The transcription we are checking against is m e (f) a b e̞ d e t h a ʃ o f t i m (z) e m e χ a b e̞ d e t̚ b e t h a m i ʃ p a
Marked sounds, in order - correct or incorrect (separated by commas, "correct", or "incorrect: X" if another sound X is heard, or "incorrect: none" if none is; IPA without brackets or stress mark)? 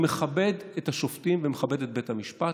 incorrect: χ, incorrect: v